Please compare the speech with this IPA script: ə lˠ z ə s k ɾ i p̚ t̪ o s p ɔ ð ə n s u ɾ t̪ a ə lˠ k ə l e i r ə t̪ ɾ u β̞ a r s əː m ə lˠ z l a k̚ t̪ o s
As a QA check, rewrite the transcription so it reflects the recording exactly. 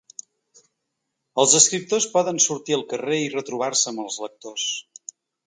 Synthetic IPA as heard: ə lˠ z ə s k ɾ i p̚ t̪ o s p ɔ ð ə n s u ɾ t̪ i ə lˠ k ə r e i r ə t̪ ɾ u β̞ a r s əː m ə lˠ z l ə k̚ t̪ o s